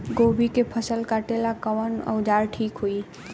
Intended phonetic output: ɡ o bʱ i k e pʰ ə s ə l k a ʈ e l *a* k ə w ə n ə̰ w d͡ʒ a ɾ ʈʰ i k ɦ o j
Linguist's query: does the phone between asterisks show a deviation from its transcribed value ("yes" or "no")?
no